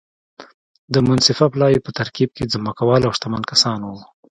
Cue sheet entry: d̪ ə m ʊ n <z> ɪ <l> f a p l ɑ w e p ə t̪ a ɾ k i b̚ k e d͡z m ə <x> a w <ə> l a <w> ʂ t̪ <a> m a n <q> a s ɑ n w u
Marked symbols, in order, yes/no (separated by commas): no, no, no, no, yes, yes, no